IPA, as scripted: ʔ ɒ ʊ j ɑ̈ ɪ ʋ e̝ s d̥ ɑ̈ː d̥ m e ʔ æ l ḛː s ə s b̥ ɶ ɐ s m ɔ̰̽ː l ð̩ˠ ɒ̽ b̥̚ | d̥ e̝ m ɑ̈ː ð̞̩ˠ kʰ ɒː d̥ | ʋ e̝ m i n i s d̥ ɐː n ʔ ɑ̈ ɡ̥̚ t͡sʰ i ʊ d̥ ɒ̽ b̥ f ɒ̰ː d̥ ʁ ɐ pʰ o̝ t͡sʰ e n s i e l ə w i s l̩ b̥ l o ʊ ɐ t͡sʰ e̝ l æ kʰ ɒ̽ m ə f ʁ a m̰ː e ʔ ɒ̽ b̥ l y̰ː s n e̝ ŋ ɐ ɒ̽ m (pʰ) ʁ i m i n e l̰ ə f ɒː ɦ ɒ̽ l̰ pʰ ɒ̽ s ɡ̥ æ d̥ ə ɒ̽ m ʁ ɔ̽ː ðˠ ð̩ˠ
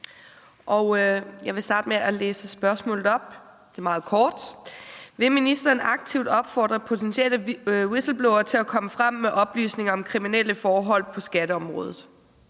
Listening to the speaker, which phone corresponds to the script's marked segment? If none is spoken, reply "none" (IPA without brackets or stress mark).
kʰ